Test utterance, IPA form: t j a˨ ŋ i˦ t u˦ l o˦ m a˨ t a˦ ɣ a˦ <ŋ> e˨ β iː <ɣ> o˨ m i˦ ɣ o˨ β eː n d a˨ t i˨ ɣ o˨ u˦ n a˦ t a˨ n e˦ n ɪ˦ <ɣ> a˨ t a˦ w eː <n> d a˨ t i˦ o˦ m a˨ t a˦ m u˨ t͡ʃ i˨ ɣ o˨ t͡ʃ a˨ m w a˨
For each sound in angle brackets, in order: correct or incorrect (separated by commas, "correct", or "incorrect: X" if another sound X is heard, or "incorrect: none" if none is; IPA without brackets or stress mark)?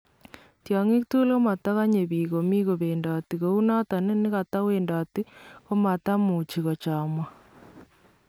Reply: incorrect: ɲ, correct, correct, correct